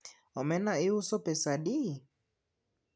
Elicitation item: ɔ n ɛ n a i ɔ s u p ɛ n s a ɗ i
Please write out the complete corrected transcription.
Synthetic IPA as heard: ɔ m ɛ n a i u s ɔ p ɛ s a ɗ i